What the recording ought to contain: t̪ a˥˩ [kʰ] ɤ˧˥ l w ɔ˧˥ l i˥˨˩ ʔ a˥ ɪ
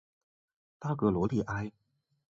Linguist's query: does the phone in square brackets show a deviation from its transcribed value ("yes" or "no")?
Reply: yes